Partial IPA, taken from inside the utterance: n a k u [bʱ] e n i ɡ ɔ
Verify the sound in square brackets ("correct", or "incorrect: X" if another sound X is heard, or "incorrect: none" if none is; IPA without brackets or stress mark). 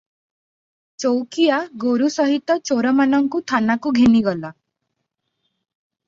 incorrect: ɡʱ